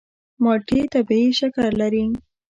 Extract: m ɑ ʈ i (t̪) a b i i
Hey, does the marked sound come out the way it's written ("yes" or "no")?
yes